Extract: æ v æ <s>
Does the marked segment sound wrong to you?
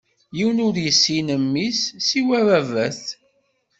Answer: yes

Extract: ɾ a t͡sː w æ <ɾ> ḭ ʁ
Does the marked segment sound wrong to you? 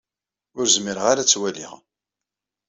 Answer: yes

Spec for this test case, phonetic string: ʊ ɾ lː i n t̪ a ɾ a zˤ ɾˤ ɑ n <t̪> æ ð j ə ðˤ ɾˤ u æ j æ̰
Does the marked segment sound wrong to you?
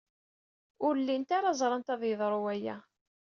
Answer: no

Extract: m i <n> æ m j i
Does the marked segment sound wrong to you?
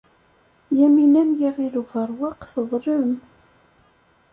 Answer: no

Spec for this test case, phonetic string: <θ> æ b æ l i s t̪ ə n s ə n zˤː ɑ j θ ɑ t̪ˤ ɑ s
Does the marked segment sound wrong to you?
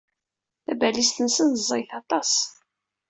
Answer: no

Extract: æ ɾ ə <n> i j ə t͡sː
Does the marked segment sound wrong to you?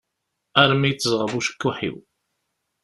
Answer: yes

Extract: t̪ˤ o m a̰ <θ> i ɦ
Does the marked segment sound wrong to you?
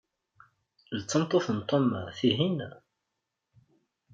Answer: no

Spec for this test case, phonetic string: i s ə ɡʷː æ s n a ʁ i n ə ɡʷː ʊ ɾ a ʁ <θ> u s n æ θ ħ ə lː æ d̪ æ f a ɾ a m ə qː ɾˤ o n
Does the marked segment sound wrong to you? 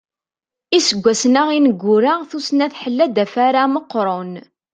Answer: no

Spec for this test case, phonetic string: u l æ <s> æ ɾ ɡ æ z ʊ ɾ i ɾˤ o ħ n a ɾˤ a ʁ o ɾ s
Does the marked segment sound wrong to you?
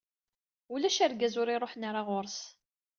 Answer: yes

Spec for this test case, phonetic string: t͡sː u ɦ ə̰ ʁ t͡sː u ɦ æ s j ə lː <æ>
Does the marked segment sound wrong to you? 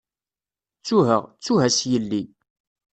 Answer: yes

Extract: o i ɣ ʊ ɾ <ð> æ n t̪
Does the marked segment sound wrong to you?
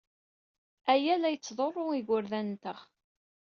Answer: no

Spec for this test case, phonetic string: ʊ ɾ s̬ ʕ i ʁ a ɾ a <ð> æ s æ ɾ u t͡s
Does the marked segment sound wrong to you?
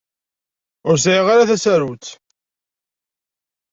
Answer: yes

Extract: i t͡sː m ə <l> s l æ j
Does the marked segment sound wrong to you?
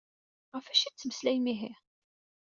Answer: yes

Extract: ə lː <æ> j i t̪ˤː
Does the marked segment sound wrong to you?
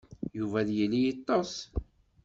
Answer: yes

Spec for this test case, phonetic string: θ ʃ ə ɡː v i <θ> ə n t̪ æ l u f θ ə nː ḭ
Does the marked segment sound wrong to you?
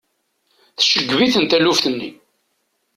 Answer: no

